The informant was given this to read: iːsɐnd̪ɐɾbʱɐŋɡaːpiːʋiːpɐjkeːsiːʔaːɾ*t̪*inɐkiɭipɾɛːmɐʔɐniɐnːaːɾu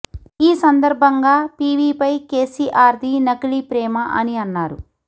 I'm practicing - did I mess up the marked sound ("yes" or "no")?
yes